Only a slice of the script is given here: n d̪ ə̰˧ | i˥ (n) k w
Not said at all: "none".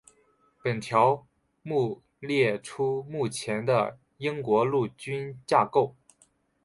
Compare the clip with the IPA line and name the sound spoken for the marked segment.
ŋ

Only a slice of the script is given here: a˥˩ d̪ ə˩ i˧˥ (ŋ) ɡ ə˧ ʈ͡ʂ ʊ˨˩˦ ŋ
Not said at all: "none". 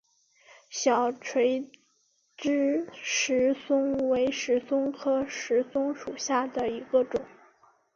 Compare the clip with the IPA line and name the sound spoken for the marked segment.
none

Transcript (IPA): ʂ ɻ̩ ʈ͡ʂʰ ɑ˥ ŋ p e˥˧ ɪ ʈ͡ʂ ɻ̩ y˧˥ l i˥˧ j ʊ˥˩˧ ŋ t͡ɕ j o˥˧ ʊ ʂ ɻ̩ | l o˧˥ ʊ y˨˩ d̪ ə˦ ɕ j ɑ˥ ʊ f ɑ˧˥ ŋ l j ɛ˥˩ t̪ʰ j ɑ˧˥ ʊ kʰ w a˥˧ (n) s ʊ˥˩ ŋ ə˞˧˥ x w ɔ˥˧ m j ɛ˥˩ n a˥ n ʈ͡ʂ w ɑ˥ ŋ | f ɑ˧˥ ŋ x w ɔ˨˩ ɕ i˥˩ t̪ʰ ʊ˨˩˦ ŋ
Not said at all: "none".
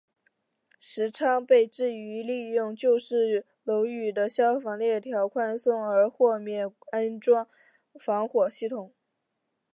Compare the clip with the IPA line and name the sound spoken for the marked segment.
n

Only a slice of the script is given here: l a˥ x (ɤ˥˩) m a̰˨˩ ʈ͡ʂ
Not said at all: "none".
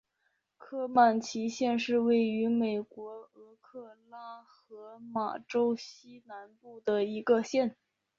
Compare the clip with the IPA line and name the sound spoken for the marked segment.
ɤ˧˥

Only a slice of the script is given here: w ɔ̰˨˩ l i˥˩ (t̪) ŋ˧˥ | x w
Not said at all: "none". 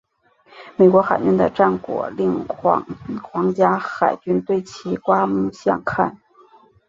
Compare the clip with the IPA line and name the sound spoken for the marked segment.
none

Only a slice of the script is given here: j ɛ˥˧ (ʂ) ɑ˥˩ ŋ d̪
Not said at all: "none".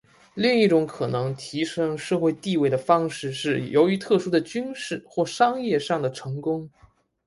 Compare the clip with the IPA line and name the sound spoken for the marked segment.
ʂ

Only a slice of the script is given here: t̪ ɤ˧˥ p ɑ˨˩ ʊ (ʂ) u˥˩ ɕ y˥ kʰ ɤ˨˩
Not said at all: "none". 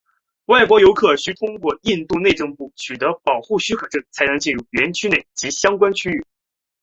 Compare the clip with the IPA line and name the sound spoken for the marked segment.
x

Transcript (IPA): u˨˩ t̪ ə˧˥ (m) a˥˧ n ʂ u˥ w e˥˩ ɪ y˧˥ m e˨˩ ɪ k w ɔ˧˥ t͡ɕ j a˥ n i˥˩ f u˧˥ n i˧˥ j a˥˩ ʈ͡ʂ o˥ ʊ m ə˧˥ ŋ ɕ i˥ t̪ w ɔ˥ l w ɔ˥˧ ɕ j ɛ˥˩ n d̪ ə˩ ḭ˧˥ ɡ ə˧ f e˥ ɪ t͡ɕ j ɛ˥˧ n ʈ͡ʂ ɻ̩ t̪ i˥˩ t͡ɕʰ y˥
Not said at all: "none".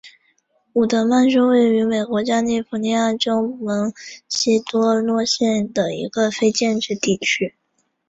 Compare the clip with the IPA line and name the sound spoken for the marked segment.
m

